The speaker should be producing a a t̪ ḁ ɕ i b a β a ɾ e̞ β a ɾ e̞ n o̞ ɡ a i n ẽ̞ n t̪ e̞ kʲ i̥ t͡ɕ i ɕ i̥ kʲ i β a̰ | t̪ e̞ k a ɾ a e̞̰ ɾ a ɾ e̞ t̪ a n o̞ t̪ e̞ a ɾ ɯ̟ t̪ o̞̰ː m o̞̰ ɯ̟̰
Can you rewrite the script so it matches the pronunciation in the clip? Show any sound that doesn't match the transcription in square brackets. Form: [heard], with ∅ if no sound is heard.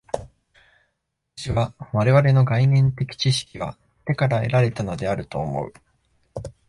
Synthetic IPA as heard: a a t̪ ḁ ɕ i [β] a β a ɾ e̞ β a ɾ e̞ n o̞ ɡ a i n ẽ̞ n t̪ e̞ kʲ i̥ t͡ɕ i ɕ i̥ kʲ i β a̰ | t̪ e̞ k a ɾ a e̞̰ ɾ a ɾ e̞ t̪ a n o̞ [d̪] e̞ a ɾ ɯ̟ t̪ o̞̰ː m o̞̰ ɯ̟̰